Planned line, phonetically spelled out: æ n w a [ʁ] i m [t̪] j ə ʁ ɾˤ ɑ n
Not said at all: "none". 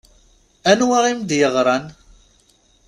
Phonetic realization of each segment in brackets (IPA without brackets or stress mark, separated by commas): ʁ, d̪